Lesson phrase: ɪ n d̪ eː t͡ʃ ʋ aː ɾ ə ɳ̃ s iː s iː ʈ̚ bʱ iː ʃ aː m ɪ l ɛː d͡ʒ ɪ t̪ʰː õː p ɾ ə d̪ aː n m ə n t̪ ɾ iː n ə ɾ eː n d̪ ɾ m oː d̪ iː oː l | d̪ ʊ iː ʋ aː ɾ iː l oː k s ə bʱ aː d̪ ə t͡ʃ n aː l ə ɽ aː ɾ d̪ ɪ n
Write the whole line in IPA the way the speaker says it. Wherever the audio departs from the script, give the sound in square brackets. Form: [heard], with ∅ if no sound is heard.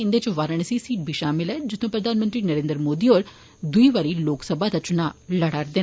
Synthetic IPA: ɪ n d̪ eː t͡ʃ ʋ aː ɾ ə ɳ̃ s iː s iː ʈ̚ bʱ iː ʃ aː m ɪ l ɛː d͡ʒ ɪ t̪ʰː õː p ɾ ə d̪ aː n m ə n t̪ ɾ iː n ə ɾ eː n d̪ ɾ m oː d̪ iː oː [ɾ] | d̪ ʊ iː ʋ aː ɾ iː l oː k s ə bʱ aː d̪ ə t͡ʃ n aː l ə ɽ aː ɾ d̪ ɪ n